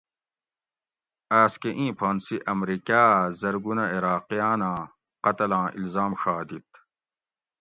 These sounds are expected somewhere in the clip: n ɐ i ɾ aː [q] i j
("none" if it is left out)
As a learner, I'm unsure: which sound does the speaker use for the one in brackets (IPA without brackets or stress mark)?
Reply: q